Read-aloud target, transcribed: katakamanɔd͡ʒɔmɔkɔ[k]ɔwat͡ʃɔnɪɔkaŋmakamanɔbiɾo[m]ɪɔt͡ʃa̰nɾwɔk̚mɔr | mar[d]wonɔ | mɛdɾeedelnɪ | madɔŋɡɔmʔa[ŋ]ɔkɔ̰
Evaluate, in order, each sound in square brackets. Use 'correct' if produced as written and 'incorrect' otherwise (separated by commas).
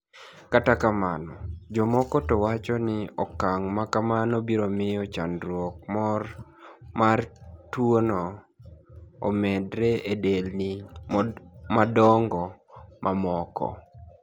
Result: incorrect, correct, incorrect, incorrect